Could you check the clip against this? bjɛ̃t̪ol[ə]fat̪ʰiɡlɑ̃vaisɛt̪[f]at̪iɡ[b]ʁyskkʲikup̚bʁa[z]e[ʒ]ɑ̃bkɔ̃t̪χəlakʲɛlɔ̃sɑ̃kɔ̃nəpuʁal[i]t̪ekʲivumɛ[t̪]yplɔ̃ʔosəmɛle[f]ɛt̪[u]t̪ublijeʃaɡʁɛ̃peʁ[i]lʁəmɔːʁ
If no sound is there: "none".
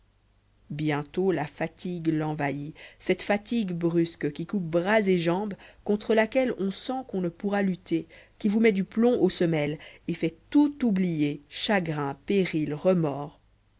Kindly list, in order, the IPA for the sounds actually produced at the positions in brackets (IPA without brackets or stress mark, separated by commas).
a, f, b, z, ʒ, y, d̪, f, u, i